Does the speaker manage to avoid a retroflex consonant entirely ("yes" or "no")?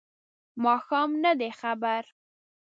yes